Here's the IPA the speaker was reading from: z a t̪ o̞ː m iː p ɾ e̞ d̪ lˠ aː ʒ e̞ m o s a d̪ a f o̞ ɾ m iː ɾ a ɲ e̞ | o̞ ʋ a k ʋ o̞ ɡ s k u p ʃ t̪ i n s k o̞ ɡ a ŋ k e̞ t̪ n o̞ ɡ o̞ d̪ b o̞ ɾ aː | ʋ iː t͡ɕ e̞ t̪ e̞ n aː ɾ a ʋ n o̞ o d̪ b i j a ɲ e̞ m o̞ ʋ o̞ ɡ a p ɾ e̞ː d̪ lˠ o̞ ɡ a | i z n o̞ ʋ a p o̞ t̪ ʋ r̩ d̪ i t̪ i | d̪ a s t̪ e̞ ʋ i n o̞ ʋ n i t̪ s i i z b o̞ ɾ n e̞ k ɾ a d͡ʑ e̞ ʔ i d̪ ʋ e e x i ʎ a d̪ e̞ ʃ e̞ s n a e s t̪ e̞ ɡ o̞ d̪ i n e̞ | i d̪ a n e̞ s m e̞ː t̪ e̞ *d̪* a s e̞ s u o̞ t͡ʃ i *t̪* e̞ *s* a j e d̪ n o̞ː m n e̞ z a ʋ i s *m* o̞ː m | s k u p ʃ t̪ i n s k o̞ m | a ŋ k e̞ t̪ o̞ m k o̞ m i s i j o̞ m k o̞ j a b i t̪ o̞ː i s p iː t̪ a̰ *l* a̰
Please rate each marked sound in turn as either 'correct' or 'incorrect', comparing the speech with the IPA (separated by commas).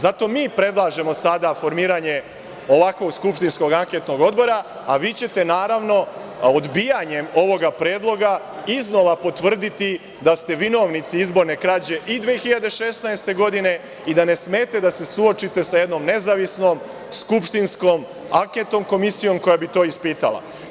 correct, correct, correct, incorrect, correct